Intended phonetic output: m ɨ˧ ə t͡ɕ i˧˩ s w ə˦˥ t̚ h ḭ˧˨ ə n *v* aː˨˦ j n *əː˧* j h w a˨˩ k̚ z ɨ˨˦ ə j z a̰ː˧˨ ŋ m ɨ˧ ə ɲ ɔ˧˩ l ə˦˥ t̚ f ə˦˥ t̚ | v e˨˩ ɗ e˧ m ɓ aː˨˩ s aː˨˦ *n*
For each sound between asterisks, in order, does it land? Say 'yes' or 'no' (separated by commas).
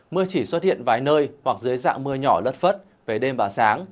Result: yes, yes, no